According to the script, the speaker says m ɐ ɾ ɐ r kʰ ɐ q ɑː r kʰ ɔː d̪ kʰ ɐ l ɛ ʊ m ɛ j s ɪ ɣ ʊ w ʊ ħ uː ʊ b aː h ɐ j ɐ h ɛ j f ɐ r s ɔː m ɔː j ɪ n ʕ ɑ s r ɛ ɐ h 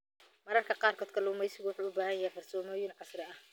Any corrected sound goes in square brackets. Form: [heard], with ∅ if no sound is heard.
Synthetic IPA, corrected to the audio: m ɐ ɾ ɐ r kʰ ɐ q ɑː r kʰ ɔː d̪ kʰ ɐ l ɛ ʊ m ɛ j s ɪ ɣ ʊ w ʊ ħ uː ʊ b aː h ɐ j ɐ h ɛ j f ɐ r s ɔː m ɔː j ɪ n ʕ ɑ s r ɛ ɐ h